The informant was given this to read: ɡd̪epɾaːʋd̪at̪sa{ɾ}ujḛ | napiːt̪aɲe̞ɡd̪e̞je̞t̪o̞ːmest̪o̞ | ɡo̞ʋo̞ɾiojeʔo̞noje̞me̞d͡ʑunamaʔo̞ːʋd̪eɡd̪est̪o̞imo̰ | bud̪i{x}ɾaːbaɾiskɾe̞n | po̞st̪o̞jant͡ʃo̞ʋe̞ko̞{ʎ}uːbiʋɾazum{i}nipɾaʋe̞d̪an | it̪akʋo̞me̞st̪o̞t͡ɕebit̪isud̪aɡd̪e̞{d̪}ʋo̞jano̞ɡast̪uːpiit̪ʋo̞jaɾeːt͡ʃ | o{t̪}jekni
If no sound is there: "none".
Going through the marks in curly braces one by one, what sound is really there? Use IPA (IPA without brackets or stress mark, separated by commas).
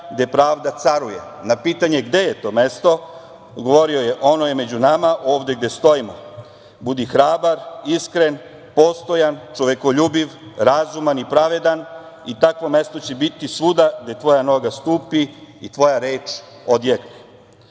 ɾ, x, ʎ, a, t̪, d̪